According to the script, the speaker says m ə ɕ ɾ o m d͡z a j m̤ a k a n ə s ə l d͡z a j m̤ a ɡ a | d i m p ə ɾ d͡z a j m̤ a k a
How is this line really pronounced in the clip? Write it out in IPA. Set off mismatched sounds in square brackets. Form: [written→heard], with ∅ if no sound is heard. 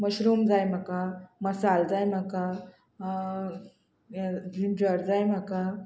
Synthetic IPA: m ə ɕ ɾ [o→u] m d͡z a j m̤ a k a [n→m] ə s [ə→a] l d͡z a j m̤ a [ɡ→k] a | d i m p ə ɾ d͡z a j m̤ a k a